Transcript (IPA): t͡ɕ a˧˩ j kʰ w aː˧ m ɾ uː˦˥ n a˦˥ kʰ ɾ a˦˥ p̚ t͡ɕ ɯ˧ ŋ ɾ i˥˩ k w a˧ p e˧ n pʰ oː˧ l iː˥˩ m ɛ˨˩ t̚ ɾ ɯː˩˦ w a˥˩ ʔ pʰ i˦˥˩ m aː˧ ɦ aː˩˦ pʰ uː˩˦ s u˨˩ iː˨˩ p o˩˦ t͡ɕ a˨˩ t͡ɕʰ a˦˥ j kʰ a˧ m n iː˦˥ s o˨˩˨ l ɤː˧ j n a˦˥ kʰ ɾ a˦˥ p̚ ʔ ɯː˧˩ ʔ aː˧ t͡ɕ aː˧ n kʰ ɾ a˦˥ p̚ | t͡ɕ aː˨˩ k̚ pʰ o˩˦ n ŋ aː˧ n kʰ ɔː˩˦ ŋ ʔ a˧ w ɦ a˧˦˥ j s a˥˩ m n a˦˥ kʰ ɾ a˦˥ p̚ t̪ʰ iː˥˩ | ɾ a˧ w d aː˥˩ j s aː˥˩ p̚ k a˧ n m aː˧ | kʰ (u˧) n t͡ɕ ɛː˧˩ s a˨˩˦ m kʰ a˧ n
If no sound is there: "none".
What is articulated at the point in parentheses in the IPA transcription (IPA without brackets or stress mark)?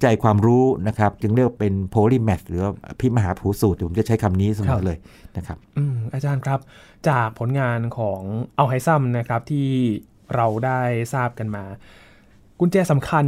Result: u˧